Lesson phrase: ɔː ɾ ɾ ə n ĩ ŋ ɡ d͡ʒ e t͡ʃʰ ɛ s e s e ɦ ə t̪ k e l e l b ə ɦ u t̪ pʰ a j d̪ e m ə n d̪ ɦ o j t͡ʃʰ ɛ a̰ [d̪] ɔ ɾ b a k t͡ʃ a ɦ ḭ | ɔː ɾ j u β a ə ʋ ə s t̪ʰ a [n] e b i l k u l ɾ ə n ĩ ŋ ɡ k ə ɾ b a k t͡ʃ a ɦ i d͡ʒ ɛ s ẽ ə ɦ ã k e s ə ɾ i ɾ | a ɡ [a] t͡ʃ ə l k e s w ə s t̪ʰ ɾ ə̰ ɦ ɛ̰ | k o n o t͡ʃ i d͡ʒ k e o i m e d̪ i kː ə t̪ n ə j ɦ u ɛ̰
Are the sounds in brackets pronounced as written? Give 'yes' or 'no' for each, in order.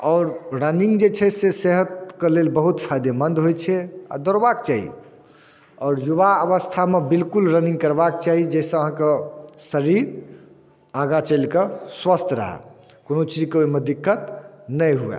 yes, no, yes

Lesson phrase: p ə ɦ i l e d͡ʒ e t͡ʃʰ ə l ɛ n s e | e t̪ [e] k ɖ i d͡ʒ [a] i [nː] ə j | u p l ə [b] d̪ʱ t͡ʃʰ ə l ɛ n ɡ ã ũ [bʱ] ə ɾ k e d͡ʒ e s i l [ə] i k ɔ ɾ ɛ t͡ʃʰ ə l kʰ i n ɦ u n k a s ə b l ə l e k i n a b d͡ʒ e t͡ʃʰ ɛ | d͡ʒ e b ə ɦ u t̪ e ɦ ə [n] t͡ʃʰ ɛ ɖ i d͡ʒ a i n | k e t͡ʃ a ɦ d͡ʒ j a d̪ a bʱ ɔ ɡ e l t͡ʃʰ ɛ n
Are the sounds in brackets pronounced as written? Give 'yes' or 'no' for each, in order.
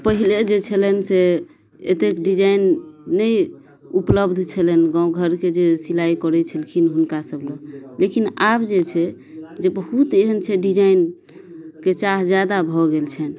yes, yes, yes, yes, no, no, yes

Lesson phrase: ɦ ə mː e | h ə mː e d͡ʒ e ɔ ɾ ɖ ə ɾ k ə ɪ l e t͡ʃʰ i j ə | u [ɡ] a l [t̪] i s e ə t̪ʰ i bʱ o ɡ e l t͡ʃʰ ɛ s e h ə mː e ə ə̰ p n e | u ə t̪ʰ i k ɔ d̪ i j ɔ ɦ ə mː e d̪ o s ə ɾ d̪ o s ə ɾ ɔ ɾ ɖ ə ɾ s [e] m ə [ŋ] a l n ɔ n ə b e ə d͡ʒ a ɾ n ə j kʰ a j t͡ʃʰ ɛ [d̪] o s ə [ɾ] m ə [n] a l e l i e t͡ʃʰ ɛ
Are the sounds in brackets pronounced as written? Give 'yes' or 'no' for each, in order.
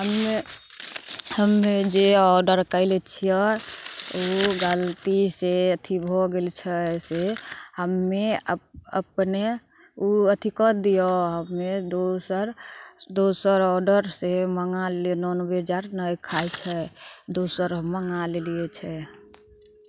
yes, yes, yes, yes, yes, yes, no

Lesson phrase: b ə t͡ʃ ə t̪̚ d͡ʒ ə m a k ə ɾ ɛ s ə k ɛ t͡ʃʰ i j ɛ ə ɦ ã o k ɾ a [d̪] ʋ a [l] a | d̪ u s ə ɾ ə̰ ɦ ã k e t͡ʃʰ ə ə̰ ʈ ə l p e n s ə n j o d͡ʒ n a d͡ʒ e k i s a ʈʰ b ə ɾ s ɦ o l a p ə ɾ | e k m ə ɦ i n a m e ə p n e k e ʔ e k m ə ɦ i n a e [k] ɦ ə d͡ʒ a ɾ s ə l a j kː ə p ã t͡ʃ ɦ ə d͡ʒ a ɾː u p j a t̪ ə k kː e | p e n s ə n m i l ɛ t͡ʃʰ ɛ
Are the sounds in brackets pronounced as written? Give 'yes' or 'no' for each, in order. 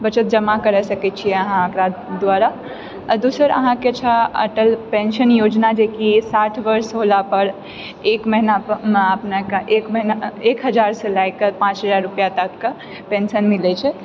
yes, no, yes

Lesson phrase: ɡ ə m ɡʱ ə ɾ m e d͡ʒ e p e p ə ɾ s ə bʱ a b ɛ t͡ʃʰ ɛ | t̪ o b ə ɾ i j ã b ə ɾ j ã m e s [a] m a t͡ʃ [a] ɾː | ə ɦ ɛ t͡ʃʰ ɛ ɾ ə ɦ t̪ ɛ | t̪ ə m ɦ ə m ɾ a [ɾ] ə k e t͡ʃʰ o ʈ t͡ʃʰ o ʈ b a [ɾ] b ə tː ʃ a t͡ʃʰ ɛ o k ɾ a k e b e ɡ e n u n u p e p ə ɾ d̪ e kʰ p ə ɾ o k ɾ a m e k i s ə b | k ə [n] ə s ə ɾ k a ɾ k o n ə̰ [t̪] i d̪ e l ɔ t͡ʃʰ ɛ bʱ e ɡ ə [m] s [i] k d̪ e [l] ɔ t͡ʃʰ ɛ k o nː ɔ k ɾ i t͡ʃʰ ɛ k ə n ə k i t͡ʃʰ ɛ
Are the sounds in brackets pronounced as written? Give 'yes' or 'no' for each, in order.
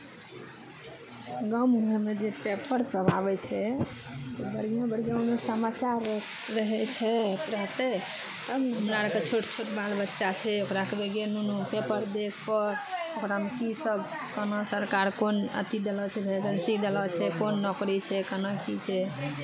no, yes, yes, no, yes, yes, no, yes, yes

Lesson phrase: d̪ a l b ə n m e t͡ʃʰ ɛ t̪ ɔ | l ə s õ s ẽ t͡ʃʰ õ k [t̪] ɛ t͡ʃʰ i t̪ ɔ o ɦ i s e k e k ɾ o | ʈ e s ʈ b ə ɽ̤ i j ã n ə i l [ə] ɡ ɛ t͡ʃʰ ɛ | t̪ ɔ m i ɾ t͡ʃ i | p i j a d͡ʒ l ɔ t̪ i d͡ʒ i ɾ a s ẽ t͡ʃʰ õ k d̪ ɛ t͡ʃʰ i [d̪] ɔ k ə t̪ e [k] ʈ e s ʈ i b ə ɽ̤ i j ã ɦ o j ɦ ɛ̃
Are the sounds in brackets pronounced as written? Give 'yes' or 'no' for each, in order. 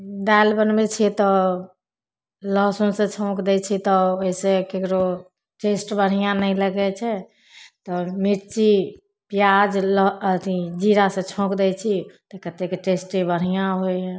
no, yes, no, yes

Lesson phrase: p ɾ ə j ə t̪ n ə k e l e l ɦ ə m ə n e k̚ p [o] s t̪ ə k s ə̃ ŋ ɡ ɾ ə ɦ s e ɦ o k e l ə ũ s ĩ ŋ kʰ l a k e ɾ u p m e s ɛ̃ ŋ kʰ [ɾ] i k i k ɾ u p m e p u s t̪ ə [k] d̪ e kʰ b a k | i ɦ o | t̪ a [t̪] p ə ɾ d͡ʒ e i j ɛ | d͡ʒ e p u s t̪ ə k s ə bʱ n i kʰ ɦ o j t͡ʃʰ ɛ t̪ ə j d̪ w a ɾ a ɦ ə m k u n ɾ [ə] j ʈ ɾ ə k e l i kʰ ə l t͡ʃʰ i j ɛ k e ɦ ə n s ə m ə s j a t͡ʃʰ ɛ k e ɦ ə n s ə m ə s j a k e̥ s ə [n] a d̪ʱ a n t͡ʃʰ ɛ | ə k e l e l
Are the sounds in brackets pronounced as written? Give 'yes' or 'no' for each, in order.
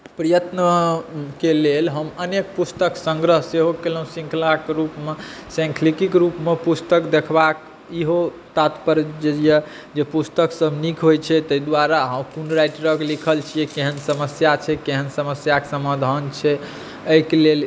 no, no, yes, yes, no, no

